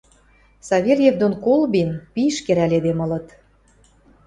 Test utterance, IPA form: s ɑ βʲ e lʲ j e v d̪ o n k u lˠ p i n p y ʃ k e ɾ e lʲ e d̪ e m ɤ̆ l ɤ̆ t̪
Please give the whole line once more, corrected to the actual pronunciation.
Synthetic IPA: s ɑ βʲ e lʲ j e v d̪ o n k o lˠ b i n p i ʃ k e ɾ æ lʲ e d̪ e m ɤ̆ l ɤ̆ t̪